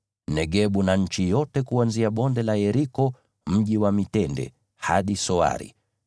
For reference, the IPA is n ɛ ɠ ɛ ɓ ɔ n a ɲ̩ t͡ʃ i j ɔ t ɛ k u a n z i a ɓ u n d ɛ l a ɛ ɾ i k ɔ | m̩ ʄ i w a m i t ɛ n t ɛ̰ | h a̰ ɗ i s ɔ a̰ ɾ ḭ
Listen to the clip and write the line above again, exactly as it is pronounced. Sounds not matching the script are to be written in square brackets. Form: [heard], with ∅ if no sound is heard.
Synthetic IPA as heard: n ɛ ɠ ɛ ɓ [u] n a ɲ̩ t͡ʃ i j ɔ t ɛ k u a n z i a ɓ [ɔ] n d ɛ l a ɛ ɾ i k ɔ | m̩ ʄ i w a m i t ɛ n [d] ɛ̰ | h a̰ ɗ i s ɔ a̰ ɾ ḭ